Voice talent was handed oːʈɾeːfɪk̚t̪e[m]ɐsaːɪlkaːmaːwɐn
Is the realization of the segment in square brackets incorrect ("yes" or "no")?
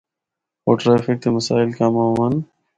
no